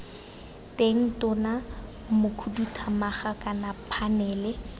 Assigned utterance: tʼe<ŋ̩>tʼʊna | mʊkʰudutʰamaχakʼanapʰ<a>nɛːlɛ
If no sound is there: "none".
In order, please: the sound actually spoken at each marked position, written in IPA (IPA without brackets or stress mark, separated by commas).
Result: ŋ̩, a